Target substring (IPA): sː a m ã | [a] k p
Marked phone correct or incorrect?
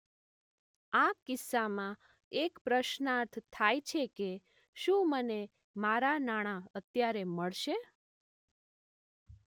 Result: incorrect